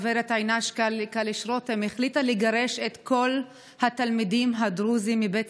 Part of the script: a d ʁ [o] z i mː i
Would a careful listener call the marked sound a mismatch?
yes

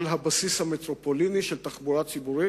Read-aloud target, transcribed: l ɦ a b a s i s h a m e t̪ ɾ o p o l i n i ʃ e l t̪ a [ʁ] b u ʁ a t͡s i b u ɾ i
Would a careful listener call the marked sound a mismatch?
yes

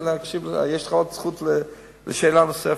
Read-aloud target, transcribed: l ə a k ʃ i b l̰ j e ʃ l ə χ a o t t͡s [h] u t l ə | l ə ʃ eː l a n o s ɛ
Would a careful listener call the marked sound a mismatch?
yes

